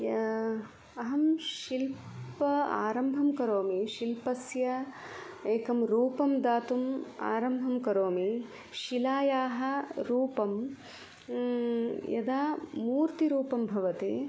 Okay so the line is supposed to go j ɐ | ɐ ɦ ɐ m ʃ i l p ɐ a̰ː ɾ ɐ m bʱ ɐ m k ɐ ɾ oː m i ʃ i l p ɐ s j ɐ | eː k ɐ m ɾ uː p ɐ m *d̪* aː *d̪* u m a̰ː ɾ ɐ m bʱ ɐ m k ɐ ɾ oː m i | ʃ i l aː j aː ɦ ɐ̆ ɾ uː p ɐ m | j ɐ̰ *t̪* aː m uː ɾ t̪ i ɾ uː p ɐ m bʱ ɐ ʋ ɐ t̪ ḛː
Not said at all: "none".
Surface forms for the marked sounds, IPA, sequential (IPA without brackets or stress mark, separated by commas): d̪, t̪, d̪